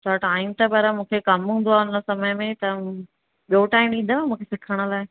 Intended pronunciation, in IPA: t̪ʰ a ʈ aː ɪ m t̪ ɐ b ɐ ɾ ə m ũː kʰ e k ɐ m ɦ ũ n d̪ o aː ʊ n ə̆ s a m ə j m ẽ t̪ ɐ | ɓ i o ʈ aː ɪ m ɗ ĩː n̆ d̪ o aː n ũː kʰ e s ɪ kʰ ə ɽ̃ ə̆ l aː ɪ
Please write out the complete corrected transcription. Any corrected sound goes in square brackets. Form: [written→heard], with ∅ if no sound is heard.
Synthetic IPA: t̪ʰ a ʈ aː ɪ m t̪ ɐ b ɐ ɾ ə m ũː kʰ e k ɐ m ɦ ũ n d̪ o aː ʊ n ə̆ s [a→ɐ] m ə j m ẽ t̪ ɐ | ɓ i o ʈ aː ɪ m ɗ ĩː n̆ d̪ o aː [n→m] ũː kʰ e s ɪ kʰ ə ɽ̃ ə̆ l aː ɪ